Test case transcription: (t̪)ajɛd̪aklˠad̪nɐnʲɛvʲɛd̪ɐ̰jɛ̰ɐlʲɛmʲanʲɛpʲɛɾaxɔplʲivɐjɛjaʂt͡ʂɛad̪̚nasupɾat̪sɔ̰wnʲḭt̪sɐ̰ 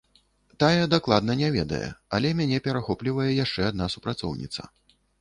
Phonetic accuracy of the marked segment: correct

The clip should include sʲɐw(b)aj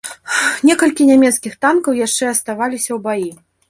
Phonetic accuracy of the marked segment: correct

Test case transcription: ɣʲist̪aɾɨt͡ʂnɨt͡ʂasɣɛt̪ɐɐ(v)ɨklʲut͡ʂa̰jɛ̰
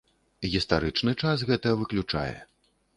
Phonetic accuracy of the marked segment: correct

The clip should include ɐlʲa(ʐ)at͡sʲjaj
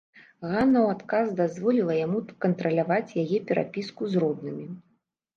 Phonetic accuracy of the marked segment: incorrect: v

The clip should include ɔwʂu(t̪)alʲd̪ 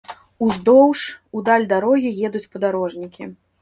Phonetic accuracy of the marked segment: incorrect: d̪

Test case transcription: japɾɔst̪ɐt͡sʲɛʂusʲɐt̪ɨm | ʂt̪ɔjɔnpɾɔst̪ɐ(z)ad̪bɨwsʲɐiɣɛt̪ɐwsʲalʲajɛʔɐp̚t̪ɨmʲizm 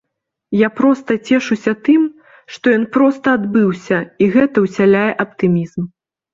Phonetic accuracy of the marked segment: incorrect: none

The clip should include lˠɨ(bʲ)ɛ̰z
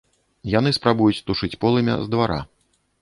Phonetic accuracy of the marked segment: incorrect: mʲ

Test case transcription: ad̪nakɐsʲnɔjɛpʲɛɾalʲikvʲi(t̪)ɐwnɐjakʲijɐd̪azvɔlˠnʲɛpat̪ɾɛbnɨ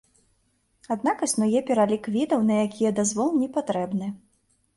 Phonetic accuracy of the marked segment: incorrect: d̪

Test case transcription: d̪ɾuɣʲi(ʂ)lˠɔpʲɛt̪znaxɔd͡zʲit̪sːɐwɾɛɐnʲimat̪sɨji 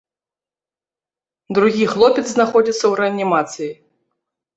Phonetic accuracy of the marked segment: incorrect: x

